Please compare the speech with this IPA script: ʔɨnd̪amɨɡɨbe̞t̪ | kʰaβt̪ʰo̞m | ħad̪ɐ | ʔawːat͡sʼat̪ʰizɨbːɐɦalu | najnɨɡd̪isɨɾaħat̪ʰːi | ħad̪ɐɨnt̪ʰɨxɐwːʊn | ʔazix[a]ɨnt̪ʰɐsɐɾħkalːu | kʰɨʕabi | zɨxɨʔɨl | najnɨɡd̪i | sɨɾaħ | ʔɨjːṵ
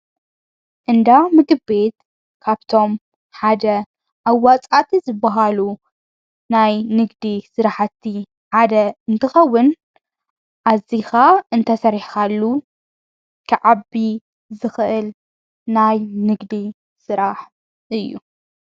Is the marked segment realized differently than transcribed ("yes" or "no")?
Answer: no